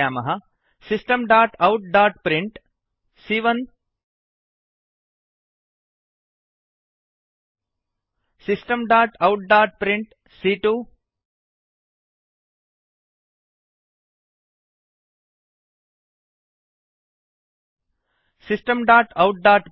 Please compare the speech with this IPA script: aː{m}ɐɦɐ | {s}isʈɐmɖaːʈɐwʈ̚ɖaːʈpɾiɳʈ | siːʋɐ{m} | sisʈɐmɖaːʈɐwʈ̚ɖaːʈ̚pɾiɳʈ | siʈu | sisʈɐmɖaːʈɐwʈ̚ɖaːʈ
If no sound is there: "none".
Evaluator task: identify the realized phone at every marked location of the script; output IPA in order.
m, s, n

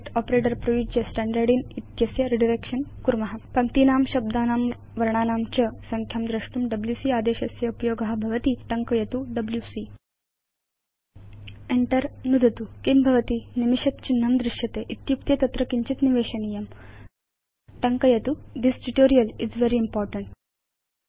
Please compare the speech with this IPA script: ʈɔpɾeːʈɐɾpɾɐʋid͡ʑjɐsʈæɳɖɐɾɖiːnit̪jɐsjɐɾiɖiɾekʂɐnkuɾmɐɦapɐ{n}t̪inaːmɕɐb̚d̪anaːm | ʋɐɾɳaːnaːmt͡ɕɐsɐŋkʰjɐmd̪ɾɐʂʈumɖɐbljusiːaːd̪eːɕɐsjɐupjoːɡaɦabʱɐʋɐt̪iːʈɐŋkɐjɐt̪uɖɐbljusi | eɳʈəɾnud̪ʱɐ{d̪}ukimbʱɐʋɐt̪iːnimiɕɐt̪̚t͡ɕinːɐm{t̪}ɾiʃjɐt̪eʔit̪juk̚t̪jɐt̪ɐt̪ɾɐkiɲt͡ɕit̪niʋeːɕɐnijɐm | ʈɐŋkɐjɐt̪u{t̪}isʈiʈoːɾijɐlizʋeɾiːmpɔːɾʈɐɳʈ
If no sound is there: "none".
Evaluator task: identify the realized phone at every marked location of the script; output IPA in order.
ŋ, t̪, d̪, d̪

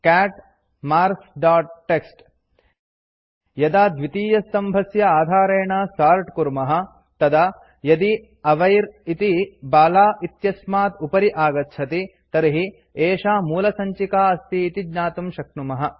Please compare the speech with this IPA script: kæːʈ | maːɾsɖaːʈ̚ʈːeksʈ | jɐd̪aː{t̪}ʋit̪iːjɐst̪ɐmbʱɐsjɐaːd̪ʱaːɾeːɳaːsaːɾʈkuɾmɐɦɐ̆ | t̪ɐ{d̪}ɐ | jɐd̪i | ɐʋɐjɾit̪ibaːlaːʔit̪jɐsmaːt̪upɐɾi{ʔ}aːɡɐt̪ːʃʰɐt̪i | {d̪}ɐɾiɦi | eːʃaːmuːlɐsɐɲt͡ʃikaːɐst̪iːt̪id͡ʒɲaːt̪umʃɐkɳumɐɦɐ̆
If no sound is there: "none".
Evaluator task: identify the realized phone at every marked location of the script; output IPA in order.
d̪, d̪, ʔ, t̪

